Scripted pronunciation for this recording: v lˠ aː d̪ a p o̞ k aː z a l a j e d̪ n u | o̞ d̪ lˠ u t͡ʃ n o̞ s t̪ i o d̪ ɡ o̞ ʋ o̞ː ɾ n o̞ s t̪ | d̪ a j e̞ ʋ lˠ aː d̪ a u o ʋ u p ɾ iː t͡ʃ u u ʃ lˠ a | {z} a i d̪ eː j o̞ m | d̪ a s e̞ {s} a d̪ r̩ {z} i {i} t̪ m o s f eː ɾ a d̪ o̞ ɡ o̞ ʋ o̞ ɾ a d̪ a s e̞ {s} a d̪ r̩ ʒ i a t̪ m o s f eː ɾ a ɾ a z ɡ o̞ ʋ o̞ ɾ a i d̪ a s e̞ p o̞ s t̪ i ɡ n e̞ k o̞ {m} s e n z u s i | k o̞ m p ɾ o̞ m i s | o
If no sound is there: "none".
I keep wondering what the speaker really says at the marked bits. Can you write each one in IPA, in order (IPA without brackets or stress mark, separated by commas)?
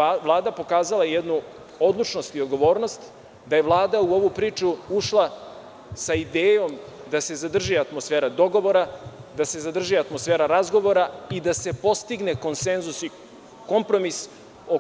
s, z, ʒ, a, z, n